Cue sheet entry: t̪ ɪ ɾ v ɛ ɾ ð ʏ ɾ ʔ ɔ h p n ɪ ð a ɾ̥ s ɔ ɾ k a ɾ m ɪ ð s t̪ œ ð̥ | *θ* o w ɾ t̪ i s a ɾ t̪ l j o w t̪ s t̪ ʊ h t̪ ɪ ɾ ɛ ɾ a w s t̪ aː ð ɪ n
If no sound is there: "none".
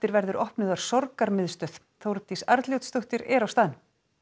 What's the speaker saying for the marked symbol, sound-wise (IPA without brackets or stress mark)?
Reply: θ